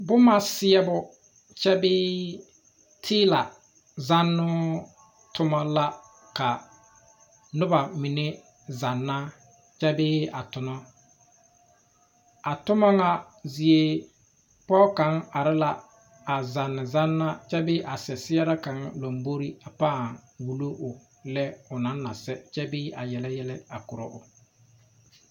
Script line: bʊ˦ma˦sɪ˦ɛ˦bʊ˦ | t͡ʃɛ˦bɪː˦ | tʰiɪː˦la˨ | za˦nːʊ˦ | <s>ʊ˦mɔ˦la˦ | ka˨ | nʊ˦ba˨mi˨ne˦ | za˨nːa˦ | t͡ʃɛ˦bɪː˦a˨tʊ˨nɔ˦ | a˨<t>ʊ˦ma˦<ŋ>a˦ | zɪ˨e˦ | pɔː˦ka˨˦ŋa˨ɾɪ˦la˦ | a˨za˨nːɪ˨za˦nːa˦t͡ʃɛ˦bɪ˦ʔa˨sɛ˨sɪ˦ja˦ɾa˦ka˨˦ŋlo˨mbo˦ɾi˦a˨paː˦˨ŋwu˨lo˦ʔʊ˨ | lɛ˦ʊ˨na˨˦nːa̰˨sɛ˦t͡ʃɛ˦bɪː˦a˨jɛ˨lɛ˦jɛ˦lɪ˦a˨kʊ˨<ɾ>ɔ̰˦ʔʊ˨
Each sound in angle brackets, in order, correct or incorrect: incorrect: t, correct, correct, correct

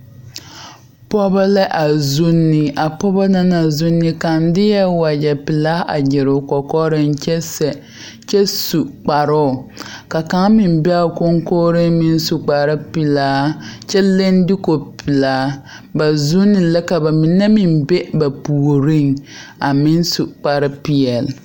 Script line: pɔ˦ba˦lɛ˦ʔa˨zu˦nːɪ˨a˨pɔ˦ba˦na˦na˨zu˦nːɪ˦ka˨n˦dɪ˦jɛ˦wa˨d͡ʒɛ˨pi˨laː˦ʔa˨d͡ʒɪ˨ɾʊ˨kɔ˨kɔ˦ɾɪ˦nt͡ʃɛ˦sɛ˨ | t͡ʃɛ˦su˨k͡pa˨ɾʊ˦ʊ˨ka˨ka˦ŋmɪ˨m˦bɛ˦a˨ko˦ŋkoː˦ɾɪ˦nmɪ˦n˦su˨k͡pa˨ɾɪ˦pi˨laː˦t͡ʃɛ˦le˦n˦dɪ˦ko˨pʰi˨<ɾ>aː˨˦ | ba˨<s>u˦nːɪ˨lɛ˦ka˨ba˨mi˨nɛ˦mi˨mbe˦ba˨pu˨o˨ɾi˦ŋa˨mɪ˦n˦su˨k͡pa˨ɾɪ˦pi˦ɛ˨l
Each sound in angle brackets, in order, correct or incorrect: incorrect: l, incorrect: z

